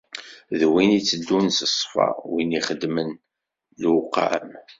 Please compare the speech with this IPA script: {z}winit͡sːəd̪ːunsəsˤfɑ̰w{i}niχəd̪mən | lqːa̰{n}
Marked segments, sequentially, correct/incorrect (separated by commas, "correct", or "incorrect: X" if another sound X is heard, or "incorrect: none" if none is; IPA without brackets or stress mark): incorrect: ð, correct, incorrect: m